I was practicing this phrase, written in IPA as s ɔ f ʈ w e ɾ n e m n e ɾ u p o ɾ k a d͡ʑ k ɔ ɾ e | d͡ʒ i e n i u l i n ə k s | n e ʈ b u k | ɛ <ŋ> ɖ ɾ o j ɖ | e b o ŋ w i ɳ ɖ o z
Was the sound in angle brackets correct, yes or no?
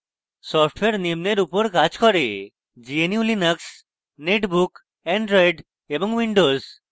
no